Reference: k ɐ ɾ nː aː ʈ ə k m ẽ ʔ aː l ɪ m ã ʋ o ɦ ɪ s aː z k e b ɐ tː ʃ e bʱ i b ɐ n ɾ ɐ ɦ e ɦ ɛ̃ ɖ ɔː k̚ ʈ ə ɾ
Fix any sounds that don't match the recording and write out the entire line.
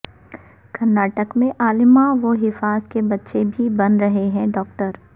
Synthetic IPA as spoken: k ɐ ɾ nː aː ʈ ə k m ẽ ʔ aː l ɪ m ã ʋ o ɦ ɪ f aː z k e b ɐ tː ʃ e bʱ i b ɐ n ɾ ɐ ɦ e ɦ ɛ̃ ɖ ɔː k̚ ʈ ə ɾ